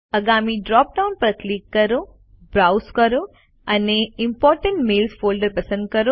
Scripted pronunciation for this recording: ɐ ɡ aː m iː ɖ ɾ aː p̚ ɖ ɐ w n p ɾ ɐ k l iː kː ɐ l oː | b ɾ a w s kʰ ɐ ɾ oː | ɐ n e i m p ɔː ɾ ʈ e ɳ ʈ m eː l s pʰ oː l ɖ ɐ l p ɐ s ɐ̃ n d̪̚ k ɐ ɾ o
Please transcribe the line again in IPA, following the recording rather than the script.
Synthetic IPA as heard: ɐ ɡ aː m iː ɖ ɾ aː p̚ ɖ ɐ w n p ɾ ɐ k l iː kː ɐ ɾ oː | b ɾ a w s k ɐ ɾ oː | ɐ n e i m p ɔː ɾ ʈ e ɳ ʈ m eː l s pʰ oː l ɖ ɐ ɾ p ɐ s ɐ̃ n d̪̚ k ɐ ɾ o